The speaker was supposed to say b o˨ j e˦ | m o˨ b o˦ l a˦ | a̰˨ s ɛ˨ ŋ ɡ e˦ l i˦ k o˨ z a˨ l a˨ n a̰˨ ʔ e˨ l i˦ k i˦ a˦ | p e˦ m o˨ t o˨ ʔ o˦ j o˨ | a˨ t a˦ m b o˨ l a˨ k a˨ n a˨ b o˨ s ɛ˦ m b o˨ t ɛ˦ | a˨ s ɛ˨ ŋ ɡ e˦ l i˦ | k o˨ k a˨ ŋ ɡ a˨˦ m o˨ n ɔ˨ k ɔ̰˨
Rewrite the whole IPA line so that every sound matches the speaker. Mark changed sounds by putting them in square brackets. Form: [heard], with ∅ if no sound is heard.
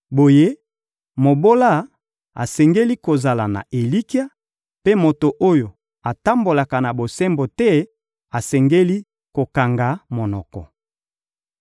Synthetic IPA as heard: b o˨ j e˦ | m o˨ b o˦ l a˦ | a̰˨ s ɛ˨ ŋ ɡ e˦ l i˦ k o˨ z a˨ l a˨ n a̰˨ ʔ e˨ l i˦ k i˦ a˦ | p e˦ m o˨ t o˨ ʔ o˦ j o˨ | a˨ t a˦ m b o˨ l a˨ k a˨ n a˨ b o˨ s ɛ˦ m b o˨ t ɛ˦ | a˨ s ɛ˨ ŋ ɡ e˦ l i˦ | k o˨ k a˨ ŋ ɡ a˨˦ m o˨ n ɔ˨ k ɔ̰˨